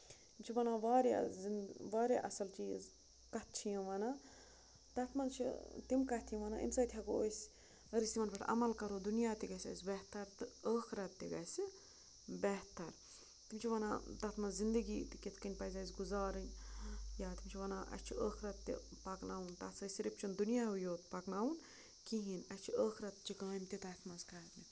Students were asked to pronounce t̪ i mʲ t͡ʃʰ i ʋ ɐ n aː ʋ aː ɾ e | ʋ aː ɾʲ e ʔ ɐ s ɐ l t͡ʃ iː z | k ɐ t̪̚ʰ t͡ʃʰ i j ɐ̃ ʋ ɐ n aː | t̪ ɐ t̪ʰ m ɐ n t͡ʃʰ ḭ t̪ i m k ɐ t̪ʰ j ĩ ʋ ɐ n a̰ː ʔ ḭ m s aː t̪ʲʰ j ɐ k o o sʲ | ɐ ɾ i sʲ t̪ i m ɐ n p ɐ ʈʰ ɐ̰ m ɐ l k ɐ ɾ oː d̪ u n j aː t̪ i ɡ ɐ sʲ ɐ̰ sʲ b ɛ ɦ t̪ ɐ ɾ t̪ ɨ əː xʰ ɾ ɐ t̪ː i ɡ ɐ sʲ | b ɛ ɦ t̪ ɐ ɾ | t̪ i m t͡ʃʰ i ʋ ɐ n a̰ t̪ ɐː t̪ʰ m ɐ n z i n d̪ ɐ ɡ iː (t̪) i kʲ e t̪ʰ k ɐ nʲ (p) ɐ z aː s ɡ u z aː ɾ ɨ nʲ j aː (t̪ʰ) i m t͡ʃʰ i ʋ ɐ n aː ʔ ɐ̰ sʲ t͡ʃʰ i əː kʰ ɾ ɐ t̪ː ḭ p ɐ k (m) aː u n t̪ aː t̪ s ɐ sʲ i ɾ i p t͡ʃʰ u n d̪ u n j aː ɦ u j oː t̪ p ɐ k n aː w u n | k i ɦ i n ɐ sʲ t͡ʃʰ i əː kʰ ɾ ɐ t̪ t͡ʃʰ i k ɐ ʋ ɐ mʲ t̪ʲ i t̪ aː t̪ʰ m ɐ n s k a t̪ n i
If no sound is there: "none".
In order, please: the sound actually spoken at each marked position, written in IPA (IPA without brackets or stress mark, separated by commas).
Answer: t̪, p, t̪, n